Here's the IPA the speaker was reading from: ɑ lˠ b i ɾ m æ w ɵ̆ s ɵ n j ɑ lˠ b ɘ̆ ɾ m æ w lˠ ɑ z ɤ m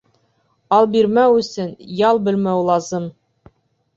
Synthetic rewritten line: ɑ lˠ b i ɾ m æ w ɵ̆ s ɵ n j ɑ lˠ b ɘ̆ l m æ w lˠ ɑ z ɤ m